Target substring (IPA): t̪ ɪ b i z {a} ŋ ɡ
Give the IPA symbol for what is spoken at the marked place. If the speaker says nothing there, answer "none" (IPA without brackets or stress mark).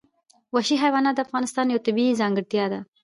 ɑ